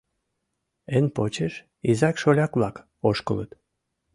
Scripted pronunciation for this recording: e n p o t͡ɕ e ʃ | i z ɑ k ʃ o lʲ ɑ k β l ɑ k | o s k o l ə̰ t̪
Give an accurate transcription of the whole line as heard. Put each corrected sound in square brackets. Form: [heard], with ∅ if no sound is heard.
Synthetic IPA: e n p o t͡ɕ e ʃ | i z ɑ k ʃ o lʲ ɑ k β l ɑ k | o [ʃ] k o l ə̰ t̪